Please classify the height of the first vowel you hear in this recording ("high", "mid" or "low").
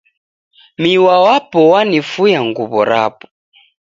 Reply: high